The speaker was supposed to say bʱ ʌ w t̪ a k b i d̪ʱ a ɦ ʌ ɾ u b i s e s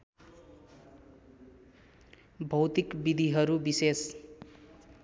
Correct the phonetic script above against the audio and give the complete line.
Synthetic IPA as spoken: bʱ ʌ w t̪ i k b i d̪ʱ i ɦ ʌ ɾ u b i s e s